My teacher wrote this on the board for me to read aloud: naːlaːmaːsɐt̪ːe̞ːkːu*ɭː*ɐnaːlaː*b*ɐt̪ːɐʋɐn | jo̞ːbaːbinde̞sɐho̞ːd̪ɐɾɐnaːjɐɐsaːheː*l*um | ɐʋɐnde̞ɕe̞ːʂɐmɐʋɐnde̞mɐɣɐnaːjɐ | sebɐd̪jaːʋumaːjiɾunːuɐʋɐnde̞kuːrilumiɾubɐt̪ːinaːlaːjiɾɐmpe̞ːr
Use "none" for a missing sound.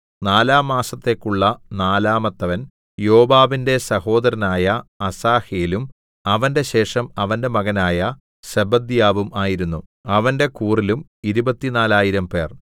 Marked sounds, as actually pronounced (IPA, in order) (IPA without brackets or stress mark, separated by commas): ɭː, m, l